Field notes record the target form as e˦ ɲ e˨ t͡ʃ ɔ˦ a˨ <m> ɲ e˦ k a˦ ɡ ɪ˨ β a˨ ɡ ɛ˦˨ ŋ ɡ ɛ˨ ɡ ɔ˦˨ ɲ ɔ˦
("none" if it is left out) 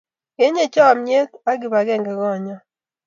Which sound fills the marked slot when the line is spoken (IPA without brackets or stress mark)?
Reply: m